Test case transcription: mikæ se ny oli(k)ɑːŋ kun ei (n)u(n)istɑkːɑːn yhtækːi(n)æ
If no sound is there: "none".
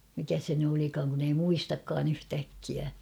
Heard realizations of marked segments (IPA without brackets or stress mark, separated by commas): k, m, none, none